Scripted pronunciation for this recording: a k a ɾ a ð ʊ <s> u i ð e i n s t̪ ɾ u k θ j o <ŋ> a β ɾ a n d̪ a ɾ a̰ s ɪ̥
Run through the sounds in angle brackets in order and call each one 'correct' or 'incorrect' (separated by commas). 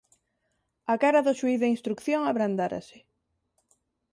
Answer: incorrect, correct